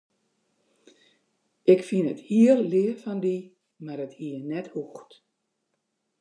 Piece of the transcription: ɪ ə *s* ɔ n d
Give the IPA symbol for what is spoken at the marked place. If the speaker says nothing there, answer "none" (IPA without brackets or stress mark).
f